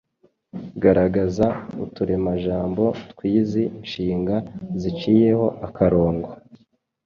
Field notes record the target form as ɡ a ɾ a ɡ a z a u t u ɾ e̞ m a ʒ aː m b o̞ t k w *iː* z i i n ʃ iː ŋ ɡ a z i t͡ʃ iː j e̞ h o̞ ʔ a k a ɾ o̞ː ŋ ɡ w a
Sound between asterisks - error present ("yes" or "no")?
no